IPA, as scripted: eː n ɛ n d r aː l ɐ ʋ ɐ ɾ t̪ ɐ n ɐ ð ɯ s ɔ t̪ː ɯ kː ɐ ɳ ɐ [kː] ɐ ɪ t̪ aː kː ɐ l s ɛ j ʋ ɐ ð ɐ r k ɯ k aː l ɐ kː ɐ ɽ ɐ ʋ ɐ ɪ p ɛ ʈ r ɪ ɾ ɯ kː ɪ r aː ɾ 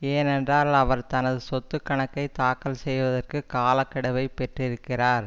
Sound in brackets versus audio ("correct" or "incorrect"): correct